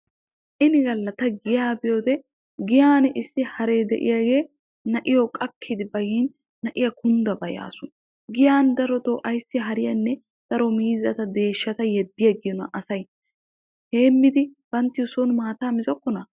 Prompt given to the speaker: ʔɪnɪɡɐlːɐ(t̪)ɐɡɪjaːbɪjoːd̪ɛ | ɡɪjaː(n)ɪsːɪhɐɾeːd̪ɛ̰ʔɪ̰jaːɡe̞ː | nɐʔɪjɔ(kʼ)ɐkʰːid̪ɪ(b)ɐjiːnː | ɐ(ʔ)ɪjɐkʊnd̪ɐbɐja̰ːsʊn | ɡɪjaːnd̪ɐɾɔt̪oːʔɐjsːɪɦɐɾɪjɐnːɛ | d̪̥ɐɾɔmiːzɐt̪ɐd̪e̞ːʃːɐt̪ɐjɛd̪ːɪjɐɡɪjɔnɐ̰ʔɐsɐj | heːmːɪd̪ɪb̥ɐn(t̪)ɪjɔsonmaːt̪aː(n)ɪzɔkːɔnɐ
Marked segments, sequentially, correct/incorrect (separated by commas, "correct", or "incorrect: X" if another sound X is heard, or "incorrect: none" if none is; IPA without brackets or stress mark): correct, correct, correct, correct, correct, correct, incorrect: m